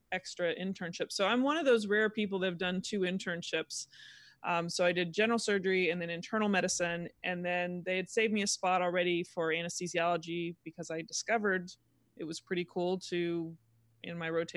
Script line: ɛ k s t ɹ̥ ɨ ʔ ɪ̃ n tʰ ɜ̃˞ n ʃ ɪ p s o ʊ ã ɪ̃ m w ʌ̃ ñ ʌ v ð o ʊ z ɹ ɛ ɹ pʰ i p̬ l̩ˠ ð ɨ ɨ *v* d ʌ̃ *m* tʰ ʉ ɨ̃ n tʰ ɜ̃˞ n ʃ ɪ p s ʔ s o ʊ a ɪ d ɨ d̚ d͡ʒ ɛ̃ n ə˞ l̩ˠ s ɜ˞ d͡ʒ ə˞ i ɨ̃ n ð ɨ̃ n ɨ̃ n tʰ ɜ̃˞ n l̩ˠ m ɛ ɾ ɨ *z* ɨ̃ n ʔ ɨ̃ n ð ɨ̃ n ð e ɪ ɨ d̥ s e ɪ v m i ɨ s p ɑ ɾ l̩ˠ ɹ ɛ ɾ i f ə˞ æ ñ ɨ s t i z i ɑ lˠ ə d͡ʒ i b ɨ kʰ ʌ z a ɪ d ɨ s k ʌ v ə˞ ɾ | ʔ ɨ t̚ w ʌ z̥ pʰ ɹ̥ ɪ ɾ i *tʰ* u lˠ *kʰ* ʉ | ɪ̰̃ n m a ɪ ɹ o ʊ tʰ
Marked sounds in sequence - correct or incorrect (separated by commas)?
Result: correct, incorrect, incorrect, incorrect, incorrect